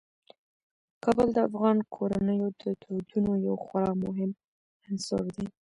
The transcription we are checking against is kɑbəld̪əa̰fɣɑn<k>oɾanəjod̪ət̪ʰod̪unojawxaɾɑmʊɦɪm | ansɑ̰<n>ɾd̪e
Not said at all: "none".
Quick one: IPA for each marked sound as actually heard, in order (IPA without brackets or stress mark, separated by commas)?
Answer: kʰ, none